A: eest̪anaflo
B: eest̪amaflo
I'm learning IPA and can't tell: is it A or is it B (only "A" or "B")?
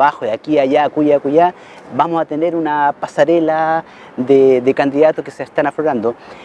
A